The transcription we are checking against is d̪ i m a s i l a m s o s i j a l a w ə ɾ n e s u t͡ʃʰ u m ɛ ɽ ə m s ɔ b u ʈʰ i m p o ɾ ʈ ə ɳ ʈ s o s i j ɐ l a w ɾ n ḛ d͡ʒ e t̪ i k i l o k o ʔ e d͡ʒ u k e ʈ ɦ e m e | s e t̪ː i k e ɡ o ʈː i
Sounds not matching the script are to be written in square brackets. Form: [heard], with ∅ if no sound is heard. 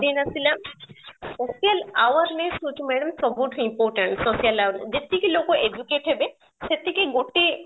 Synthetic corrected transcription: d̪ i [n] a s i l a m s o s i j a l a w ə ɾ n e s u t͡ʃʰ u m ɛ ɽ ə m s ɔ b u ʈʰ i m p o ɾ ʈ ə ɳ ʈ s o s i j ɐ l a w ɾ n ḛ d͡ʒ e t̪ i k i l o k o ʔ e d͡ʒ u k e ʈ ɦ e [b] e | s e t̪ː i k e ɡ o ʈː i